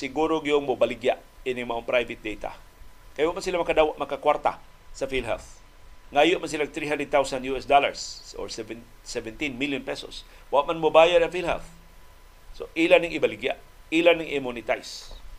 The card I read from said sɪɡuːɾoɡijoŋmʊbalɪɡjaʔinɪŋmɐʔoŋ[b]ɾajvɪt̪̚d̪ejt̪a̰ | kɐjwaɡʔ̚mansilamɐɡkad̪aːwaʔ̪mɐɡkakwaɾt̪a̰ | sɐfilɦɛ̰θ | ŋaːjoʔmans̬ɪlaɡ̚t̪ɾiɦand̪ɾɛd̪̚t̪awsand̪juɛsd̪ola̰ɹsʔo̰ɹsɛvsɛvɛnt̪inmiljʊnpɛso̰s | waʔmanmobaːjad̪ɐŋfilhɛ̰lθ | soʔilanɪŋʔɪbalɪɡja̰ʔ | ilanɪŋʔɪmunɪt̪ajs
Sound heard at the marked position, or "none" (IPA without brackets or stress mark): p